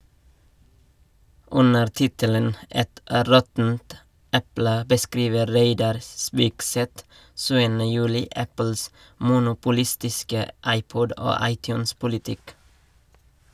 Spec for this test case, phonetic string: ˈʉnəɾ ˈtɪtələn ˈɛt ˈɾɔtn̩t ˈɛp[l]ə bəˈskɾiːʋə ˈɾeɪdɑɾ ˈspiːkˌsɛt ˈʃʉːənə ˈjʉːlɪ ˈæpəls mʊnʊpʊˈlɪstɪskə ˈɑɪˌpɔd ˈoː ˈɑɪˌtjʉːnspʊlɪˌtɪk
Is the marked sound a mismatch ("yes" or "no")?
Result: no